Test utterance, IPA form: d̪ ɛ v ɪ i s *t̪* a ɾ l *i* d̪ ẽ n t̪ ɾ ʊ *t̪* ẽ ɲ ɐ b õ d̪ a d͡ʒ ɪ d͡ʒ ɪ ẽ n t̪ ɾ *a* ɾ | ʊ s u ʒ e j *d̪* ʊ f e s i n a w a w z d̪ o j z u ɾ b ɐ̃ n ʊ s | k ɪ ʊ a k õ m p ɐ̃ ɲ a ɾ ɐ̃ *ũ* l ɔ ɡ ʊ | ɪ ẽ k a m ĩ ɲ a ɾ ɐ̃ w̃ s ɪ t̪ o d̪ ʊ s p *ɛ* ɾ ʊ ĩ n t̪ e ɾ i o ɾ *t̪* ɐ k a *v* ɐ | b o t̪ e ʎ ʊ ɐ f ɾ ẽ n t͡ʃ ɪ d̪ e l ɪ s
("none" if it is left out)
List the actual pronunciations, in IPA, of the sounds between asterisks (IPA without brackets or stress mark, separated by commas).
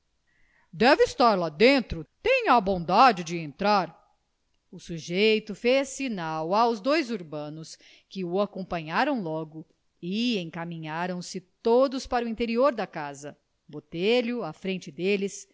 t̪, a, t̪, a, t̪, w̃, a, d̪, z